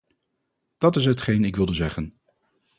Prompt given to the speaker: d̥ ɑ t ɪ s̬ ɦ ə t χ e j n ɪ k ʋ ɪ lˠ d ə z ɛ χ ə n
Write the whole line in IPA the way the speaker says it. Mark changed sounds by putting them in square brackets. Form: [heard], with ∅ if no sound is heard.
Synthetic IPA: d̥ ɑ t ɪ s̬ ɦ ə t χ e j n ɪ k ʋ ɪ lˠ d ə z ɛ χ ə n